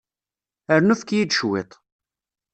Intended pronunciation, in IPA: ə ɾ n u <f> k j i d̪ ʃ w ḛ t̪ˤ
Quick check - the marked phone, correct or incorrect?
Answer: correct